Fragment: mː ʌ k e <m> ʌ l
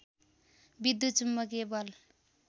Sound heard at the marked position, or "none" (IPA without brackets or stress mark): b